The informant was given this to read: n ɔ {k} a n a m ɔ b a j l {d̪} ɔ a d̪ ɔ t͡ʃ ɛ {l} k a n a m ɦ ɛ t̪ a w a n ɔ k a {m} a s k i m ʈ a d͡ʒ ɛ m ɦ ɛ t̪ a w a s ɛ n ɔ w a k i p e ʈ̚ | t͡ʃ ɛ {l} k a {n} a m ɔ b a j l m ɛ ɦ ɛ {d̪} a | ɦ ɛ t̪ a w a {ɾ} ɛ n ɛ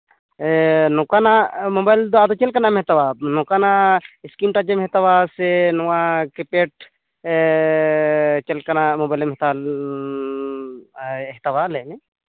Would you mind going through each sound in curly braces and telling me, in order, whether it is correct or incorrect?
correct, correct, correct, incorrect: n, correct, correct, incorrect: t̪, incorrect: l

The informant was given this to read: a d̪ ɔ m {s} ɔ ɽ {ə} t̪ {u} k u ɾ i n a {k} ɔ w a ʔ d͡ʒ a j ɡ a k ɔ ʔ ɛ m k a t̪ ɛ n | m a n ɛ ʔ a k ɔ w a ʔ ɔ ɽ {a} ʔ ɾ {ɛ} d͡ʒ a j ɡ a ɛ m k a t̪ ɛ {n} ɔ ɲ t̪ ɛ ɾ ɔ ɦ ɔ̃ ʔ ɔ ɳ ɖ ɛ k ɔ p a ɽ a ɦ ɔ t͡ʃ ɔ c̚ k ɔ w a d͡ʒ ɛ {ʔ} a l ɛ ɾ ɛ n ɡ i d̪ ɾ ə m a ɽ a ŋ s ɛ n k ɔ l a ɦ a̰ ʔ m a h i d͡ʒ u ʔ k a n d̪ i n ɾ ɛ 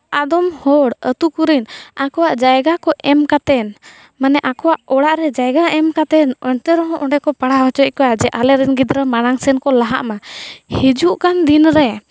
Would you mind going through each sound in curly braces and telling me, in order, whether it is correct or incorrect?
incorrect: h, correct, correct, correct, correct, correct, correct, correct

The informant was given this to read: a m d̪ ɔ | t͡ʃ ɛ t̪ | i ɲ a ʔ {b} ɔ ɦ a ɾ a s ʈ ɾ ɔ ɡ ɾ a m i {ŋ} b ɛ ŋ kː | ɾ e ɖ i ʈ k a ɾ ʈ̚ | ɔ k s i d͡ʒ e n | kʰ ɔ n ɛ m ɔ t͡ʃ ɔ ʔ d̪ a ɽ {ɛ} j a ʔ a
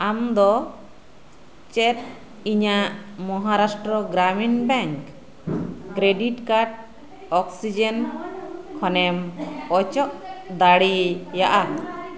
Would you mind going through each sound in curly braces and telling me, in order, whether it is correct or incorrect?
incorrect: m, incorrect: n, incorrect: i

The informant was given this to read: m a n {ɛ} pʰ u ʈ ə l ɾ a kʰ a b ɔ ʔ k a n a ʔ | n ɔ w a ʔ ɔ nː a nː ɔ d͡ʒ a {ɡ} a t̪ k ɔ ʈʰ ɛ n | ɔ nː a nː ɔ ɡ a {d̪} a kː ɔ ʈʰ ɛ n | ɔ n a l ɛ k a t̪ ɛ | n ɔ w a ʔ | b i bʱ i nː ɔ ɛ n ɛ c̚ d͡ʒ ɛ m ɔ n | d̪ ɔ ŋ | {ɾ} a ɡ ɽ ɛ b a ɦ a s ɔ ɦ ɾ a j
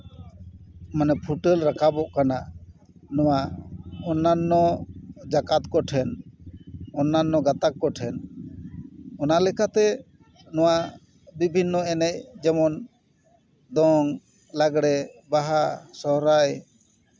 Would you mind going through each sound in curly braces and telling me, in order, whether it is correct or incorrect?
correct, incorrect: k, incorrect: t̪, incorrect: l

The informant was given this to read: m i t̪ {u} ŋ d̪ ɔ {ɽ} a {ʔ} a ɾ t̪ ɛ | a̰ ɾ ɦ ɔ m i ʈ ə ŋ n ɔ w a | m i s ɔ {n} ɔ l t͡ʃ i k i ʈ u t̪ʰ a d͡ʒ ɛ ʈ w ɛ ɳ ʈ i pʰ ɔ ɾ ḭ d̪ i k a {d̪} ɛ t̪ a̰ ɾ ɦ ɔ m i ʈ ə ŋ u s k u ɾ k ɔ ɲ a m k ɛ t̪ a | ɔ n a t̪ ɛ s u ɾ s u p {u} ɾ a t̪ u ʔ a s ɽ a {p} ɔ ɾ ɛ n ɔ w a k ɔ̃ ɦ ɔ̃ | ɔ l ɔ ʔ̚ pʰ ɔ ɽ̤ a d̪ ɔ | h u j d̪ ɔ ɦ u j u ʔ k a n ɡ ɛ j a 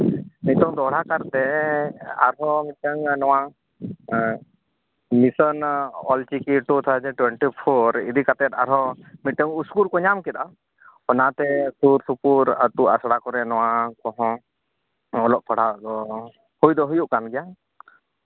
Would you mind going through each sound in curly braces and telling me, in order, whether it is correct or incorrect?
incorrect: ɔ, correct, incorrect: k, correct, incorrect: t̪, correct, incorrect: k

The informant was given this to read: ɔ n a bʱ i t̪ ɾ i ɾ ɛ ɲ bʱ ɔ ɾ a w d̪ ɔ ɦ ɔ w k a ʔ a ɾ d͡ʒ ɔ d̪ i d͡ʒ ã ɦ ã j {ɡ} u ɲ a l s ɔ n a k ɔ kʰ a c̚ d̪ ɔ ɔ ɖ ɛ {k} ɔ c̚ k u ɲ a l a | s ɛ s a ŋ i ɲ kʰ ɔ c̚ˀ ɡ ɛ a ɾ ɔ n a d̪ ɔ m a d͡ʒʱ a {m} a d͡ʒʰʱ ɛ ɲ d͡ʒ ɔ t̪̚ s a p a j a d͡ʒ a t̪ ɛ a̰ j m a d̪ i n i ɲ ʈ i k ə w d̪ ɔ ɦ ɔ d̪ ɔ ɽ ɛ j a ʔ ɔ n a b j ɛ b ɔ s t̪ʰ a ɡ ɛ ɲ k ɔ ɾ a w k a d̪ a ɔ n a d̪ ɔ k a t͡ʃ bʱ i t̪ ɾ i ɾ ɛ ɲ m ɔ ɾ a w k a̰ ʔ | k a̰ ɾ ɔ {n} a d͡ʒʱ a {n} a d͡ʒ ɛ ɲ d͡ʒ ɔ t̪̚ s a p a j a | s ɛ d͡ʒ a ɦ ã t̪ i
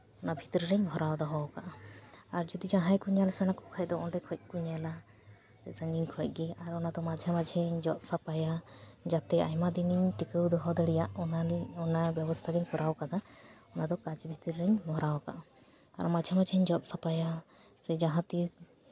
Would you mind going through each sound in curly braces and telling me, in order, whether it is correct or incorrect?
incorrect: k, incorrect: kʰ, correct, incorrect: m, incorrect: m

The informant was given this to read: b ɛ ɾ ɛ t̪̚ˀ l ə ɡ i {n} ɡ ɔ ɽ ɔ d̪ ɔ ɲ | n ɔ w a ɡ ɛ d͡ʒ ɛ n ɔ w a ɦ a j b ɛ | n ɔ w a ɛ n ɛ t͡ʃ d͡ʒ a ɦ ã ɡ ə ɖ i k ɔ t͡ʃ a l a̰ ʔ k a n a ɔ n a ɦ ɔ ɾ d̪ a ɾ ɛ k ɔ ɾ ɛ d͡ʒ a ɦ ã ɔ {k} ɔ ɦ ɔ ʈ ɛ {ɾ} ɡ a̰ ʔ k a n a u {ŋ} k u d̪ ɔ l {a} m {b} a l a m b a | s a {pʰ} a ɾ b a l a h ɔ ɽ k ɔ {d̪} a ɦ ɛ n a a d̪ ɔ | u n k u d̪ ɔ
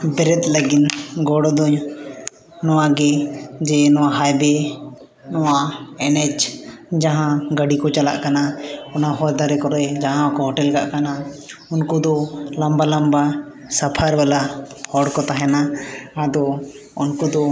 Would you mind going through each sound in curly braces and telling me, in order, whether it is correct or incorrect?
correct, correct, incorrect: l, incorrect: n, correct, correct, correct, incorrect: t̪

